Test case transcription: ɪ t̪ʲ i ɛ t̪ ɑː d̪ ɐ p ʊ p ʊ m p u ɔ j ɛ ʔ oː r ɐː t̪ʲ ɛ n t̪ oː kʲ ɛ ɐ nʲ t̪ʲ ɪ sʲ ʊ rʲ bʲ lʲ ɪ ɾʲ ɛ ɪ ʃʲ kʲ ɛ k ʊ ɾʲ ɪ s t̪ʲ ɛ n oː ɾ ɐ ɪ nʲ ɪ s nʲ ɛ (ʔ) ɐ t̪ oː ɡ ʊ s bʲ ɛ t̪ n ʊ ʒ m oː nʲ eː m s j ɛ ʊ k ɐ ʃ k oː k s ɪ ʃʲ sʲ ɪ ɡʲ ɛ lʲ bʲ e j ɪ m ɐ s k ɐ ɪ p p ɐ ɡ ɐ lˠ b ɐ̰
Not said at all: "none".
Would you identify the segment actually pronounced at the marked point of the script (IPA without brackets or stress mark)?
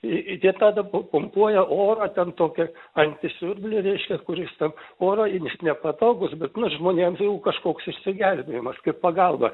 p